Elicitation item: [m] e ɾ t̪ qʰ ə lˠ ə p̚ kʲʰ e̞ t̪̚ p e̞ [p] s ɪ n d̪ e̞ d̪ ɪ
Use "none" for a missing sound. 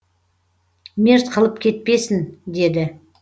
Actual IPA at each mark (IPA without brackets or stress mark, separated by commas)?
m, none